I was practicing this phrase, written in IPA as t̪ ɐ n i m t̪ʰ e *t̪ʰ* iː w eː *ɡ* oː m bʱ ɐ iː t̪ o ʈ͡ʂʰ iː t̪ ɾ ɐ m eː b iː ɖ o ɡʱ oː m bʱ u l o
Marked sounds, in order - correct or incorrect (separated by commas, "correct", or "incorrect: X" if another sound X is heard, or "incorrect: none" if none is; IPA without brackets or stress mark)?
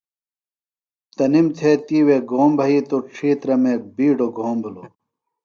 incorrect: t̪, correct